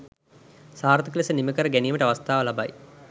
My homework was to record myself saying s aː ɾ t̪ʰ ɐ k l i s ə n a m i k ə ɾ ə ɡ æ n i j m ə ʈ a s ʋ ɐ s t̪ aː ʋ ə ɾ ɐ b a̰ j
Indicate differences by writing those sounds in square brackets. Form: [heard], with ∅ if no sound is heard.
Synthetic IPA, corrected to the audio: s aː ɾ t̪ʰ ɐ k l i s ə n [i] m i k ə ɾ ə ɡ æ n i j m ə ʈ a [∅] ʋ ɐ s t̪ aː ʋ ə [l] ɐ b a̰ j